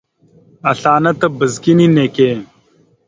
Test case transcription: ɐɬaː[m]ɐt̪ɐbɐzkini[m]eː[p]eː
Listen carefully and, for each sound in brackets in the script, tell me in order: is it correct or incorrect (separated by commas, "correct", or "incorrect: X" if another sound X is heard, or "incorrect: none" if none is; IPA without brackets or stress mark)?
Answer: incorrect: n, incorrect: n, incorrect: k